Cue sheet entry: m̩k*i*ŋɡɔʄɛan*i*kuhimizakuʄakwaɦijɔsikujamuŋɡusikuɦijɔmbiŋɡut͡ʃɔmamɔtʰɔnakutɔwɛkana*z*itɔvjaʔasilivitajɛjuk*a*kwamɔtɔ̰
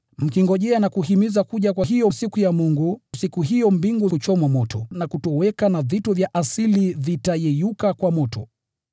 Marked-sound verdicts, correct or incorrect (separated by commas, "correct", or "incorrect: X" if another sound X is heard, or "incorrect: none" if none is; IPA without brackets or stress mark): correct, incorrect: a, incorrect: v, correct